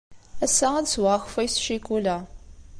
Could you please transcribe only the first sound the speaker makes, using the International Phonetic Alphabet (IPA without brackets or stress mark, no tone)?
æ